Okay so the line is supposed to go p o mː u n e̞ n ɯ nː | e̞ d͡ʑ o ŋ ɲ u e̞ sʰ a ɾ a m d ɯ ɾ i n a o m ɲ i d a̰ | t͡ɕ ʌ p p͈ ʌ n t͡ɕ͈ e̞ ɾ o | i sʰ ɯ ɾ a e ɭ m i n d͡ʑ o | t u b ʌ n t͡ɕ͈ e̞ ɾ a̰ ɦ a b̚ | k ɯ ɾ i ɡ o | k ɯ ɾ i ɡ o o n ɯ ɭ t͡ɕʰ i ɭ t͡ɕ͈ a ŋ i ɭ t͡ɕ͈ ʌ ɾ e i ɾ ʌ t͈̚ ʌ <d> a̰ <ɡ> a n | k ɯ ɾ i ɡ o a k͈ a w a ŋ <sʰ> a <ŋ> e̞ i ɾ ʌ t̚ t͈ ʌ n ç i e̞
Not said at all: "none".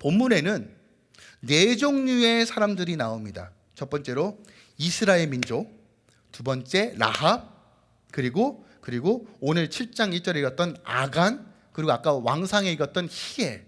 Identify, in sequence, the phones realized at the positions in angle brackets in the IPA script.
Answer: n, ɡ, sʰ, ŋ

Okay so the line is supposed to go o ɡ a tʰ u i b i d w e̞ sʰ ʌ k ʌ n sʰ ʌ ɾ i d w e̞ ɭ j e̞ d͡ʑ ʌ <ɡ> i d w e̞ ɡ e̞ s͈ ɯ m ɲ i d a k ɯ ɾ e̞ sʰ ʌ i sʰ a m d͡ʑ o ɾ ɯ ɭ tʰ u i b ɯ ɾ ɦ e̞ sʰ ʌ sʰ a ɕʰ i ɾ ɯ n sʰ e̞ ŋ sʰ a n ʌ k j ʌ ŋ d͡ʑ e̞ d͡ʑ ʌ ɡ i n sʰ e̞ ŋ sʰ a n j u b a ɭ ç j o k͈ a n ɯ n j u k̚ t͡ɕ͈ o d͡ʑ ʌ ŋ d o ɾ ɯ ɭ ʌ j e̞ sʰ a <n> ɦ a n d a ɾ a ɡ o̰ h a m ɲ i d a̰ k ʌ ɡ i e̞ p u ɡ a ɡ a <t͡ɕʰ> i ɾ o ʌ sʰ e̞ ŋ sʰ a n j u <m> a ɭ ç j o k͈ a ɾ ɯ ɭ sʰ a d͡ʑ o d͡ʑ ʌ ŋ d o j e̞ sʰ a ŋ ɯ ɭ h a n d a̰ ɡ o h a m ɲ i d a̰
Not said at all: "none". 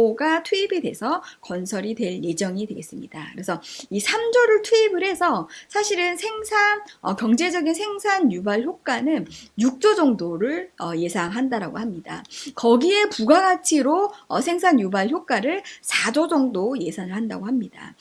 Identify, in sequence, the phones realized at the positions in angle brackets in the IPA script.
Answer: ŋ, ŋ, t͡ɕʰ, b

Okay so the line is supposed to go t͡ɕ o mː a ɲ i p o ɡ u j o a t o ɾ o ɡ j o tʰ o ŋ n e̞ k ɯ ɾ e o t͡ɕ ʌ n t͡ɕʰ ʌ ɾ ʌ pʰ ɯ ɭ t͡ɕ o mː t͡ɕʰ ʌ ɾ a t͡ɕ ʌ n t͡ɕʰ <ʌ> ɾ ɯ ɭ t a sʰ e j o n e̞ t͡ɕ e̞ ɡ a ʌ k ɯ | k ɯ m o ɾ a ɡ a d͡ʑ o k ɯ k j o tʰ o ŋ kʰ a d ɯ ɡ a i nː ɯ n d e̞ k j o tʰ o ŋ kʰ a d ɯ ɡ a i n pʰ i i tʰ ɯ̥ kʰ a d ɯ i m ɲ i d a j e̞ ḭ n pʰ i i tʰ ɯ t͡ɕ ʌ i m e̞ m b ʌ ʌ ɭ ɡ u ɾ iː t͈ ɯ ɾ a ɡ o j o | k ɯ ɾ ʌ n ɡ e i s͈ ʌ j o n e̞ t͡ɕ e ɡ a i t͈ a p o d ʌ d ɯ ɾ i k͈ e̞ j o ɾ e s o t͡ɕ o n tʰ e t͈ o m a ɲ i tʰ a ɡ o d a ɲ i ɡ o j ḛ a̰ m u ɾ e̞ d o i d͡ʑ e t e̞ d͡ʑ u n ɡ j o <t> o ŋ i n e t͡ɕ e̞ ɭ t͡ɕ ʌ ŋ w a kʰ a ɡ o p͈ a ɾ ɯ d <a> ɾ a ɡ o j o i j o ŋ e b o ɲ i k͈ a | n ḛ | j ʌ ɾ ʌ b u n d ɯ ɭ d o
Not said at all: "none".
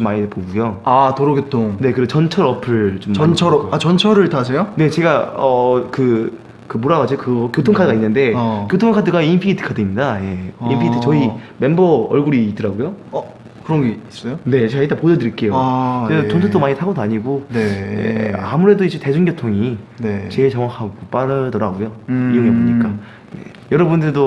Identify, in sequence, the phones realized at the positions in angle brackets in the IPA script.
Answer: ʌ, tʰ, ʌ

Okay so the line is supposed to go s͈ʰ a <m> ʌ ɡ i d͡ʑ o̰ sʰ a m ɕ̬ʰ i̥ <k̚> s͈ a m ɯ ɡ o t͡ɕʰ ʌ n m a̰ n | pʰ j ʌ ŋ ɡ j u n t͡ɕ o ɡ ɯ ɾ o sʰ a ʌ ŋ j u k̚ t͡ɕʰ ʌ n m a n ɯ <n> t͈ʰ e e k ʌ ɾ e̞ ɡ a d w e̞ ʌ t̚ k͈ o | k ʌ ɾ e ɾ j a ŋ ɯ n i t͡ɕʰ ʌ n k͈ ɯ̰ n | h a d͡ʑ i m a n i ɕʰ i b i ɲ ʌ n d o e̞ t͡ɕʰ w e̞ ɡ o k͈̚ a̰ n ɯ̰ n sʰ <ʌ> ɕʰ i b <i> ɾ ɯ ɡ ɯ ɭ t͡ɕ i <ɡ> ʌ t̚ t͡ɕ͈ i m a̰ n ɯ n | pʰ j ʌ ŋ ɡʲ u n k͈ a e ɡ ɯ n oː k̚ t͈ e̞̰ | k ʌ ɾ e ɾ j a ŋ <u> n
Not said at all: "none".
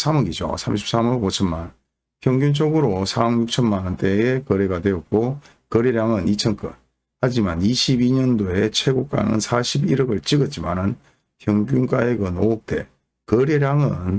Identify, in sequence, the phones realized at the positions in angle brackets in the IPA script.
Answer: m, p̚, n, a, i, ɡ, ɯ

